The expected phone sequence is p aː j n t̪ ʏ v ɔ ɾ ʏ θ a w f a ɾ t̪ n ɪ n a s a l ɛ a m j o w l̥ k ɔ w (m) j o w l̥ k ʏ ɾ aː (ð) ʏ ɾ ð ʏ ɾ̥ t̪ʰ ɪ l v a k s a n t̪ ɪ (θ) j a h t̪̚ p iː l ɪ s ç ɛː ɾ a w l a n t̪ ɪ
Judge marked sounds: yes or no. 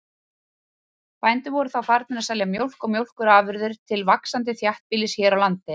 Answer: yes, no, yes

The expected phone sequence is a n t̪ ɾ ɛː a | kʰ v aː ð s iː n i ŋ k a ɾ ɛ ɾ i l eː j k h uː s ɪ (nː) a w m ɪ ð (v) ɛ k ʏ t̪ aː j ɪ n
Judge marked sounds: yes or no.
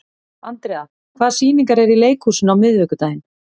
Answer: no, yes

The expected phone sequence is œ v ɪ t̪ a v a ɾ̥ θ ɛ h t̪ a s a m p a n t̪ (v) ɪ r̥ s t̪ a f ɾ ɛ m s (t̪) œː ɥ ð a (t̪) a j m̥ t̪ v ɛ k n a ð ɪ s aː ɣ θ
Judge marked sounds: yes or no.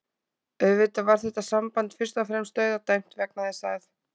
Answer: no, yes, yes

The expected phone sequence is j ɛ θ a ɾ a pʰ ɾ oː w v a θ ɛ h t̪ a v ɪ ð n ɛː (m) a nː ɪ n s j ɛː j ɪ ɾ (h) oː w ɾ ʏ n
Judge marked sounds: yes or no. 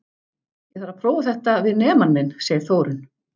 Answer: yes, no

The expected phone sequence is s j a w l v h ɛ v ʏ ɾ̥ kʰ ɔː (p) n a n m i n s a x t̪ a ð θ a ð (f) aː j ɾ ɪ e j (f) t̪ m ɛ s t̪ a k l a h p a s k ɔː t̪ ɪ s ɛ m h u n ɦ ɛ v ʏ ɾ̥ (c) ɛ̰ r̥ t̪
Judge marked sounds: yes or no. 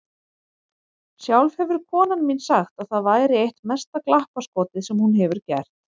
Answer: no, no, no, yes

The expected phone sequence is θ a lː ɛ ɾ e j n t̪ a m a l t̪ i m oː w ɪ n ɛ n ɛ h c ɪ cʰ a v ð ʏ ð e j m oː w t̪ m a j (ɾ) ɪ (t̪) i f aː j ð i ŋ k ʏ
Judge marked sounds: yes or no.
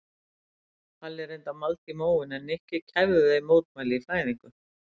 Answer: no, no

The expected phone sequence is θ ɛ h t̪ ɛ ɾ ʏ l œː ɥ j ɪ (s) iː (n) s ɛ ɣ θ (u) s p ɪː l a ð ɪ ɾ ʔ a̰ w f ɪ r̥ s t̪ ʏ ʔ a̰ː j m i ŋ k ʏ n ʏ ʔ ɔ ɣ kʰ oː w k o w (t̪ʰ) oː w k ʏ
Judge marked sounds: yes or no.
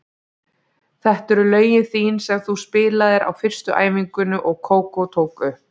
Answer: no, yes, yes, yes

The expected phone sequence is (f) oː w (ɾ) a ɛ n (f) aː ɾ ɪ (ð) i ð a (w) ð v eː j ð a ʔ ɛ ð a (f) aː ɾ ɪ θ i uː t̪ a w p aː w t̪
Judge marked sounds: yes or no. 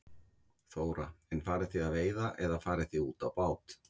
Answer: no, yes, yes, no, no, yes

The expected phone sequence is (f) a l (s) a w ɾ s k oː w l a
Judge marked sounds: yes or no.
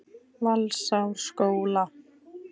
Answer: no, yes

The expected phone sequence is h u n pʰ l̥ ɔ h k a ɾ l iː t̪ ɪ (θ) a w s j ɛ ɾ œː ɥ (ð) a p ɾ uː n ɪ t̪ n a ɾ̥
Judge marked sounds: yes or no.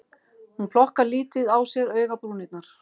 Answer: no, no

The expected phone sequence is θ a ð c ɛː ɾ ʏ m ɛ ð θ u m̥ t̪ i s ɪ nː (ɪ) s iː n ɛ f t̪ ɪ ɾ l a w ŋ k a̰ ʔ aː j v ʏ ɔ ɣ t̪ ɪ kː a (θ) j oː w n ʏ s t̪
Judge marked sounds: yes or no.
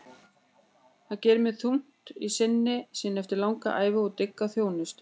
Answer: yes, yes

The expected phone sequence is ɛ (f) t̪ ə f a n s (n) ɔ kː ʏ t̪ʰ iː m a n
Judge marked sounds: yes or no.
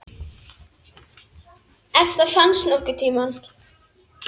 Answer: yes, yes

